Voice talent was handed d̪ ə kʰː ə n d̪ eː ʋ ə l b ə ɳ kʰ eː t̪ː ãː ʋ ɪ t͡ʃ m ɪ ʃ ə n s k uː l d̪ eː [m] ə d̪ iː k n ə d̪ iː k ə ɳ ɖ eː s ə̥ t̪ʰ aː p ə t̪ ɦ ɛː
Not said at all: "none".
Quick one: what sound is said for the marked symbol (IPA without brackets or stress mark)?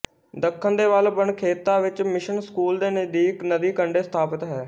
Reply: n